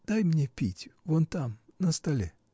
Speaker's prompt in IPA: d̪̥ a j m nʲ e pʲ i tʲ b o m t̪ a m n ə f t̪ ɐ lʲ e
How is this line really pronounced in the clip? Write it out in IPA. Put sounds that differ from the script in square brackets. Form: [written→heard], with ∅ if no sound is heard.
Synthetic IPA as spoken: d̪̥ a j m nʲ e pʲ i tʲ [b→v] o [m→n] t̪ a m n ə [f→s] t̪ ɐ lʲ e